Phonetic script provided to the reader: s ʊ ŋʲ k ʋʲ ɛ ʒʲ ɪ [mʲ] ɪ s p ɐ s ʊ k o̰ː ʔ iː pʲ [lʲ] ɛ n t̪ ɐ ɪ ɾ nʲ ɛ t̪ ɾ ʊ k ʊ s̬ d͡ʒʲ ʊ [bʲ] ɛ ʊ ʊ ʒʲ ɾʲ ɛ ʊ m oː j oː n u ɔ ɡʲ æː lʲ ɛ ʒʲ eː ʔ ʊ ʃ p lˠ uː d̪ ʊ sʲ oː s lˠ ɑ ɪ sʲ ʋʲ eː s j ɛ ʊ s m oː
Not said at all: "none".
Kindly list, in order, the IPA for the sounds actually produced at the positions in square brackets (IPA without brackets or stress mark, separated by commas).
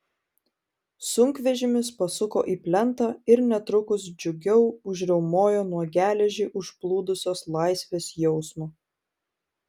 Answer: mʲ, lʲ, ɡʲ